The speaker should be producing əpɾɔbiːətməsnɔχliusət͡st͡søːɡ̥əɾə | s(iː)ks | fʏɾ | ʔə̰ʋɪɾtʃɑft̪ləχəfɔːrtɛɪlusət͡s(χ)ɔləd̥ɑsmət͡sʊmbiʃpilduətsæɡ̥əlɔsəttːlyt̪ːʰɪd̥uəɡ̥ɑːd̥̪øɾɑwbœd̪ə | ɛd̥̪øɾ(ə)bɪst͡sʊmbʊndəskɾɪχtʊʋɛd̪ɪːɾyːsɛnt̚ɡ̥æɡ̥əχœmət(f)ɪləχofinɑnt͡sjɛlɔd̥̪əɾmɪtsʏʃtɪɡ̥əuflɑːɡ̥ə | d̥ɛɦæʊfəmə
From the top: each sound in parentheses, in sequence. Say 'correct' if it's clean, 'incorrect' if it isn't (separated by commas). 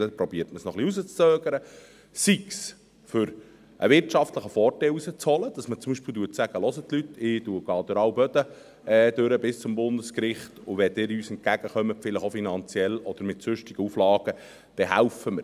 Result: incorrect, incorrect, correct, correct